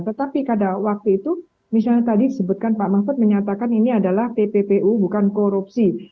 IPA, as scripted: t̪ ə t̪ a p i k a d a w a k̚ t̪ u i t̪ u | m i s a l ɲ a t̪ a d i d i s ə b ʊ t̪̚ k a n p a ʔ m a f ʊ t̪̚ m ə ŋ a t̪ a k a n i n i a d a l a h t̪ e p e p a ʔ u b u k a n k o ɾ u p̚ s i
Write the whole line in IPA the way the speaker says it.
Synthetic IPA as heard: t̪ ə t̪ a p i k a d a w a k̚ t̪ u i t̪ u | m i s a l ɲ a t̪ a d i d i s ə b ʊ t̪̚ k a n p a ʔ m a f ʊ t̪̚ m ə ɲ a t̪ a k a n i n i a d a l a h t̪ e p e p e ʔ u b u k a n k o ɾ u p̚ s i